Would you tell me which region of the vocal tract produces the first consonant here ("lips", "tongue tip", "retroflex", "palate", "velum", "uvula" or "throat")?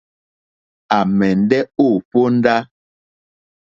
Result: lips